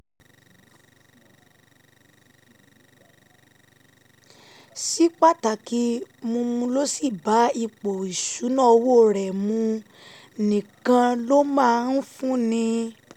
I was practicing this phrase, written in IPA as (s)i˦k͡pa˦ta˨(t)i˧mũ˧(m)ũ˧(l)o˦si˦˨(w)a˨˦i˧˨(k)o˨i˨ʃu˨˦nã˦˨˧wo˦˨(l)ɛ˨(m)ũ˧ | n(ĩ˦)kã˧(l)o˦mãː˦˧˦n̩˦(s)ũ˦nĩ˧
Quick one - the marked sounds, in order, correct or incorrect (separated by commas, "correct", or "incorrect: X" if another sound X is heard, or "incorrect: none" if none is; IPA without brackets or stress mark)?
correct, incorrect: k, correct, correct, incorrect: b, incorrect: k͡p, incorrect: ɾ, correct, incorrect: ĩ˨, correct, incorrect: f